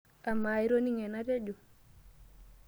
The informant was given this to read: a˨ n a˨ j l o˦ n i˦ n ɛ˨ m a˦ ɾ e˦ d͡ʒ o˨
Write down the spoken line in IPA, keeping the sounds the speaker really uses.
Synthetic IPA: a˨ m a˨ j ɾ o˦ n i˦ ŋ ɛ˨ n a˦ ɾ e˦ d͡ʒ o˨